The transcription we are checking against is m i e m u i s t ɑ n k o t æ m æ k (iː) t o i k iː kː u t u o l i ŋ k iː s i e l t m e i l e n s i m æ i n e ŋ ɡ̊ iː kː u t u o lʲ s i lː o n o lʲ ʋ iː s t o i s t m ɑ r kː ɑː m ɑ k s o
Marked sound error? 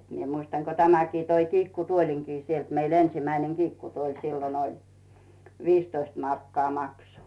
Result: no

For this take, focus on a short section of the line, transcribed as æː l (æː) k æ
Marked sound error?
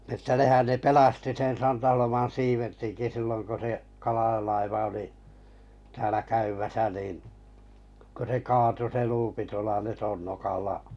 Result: yes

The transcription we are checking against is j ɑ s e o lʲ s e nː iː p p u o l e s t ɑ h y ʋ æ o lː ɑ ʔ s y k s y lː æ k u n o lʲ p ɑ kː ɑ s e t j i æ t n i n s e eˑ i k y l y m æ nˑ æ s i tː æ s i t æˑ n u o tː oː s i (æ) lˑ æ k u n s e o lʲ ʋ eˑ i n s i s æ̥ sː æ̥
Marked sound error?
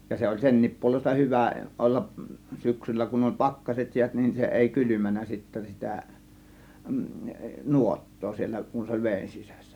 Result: yes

